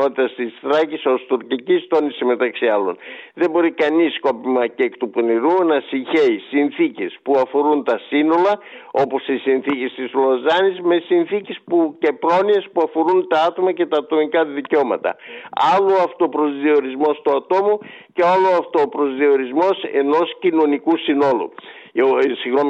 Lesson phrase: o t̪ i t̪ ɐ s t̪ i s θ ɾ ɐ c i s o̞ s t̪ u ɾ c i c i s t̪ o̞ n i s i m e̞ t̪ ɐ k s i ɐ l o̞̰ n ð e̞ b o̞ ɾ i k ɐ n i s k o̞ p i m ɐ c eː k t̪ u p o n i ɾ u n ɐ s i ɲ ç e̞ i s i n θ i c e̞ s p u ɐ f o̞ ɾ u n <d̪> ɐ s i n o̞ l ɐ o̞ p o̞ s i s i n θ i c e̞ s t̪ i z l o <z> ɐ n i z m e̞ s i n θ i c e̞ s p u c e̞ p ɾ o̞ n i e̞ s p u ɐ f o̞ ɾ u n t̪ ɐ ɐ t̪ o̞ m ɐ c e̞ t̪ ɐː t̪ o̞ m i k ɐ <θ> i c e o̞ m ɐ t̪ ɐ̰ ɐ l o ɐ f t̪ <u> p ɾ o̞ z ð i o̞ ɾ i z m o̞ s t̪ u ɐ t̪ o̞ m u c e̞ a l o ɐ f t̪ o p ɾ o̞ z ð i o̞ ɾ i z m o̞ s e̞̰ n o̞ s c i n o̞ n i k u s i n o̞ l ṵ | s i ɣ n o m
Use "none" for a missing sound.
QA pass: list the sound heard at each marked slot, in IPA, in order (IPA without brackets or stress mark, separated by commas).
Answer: t̪, z, ð, o